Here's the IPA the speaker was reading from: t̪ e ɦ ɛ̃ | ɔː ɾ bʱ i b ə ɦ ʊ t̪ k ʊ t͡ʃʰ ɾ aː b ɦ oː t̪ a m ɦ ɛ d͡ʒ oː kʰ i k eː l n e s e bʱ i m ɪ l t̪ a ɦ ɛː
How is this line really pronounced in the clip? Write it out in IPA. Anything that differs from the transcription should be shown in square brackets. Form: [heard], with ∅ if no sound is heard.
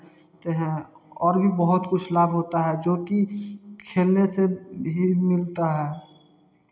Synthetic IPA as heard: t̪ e ɦ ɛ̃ | ɔː ɾ bʱ i b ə ɦ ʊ t̪ k ʊ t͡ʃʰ [l] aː b ɦ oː t̪ a [∅] ɦ ɛ d͡ʒ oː [k] i [kʰ] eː l n e s e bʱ i m ɪ l t̪ a ɦ ɛː